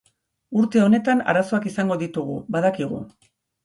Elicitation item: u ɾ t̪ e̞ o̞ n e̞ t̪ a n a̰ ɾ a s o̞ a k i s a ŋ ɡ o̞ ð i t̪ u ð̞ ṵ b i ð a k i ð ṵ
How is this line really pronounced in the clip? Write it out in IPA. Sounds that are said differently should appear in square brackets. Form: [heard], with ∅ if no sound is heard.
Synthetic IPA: u ɾ t̪ e̞ o̞ n e̞ t̪ a n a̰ ɾ a s o̞ a k i s a ŋ ɡ o̞ ð i t̪ u [ɣ̞] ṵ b [a] ð a k i [ɣ] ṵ